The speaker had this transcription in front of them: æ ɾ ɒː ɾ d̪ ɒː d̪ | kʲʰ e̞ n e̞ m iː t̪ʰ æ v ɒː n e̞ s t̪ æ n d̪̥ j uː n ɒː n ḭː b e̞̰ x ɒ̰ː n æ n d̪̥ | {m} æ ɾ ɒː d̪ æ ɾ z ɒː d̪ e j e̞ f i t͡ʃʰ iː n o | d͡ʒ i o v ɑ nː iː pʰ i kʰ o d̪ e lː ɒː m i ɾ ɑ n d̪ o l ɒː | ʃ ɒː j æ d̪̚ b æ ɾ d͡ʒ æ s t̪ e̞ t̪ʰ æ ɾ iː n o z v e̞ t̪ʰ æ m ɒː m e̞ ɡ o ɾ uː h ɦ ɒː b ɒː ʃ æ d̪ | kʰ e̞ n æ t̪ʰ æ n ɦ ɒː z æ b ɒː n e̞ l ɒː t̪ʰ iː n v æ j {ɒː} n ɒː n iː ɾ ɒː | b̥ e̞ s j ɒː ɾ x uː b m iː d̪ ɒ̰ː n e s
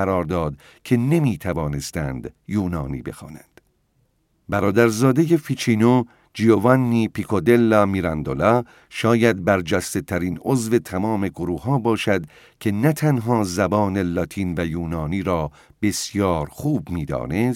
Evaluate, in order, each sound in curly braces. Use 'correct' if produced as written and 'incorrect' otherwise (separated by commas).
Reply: incorrect, incorrect